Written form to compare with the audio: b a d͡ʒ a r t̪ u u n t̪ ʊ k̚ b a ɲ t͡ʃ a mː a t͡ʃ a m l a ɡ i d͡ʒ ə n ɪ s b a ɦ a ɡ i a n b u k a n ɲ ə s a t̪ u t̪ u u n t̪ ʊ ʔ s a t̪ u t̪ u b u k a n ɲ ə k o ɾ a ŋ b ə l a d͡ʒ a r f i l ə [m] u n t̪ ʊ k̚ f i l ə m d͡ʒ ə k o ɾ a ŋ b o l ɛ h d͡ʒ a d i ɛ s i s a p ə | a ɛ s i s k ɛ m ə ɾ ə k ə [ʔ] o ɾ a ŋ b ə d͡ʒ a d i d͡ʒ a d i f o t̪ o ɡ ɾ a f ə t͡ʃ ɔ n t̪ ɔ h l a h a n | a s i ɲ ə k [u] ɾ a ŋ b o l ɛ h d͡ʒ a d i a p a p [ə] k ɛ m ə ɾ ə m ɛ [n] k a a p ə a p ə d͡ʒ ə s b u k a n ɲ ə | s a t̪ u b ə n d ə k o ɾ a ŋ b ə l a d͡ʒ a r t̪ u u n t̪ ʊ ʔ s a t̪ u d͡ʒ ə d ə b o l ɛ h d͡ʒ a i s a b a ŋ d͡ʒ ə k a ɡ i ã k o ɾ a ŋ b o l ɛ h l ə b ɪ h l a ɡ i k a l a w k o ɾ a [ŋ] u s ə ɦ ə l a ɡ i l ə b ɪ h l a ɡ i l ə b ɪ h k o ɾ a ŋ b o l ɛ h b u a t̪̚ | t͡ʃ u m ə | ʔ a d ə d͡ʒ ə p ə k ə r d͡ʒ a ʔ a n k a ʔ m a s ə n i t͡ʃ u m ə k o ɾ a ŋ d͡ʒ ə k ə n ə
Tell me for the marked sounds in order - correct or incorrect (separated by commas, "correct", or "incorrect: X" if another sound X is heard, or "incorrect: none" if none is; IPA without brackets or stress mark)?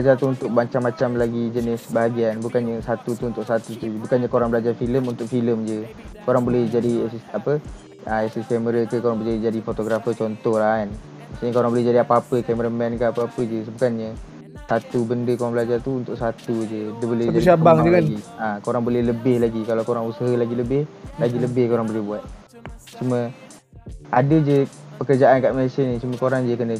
correct, incorrect: k, incorrect: o, correct, correct, correct